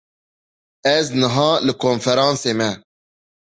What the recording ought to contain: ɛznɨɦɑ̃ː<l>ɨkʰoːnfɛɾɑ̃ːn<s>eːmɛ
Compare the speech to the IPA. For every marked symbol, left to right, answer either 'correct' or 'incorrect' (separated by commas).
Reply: correct, correct